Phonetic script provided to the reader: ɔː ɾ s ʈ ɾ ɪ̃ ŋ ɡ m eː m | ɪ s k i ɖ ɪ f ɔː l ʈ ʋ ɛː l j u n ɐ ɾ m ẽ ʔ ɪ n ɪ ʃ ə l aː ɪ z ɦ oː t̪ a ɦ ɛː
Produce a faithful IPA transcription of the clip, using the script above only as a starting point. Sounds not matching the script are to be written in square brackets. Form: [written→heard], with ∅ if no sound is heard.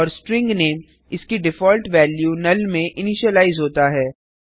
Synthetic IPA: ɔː ɾ s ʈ ɾ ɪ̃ ŋ ɡ [m→n] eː m | ɪ s k i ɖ ɪ f ɔː l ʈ ʋ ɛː l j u n ɐ [ɾ→l] m ẽ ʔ ɪ n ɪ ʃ ə l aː ɪ z ɦ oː t̪ a ɦ ɛː